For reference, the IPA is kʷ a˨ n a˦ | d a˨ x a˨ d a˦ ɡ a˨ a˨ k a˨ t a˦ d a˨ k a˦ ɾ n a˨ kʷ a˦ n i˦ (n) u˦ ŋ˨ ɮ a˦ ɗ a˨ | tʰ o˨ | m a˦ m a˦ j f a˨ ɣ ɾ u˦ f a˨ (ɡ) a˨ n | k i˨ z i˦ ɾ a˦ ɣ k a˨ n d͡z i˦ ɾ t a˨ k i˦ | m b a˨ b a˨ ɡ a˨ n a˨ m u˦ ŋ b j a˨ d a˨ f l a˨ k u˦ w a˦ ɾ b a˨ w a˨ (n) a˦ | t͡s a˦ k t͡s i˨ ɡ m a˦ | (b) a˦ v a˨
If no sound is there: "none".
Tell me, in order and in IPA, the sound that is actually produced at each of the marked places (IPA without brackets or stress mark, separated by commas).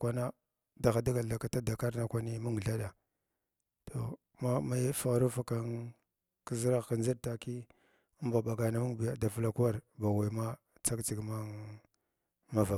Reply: m, k, m, m